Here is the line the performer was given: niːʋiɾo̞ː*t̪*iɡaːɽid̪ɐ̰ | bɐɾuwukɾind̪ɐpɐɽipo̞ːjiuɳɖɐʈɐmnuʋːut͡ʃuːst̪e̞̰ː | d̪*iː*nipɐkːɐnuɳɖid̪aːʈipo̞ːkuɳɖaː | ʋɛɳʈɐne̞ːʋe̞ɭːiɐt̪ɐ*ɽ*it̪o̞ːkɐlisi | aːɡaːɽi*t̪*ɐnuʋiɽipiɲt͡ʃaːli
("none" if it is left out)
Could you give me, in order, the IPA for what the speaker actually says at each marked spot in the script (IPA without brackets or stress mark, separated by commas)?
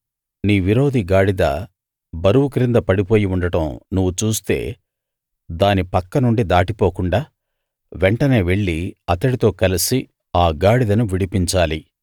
d̪, aː, ɽ, d̪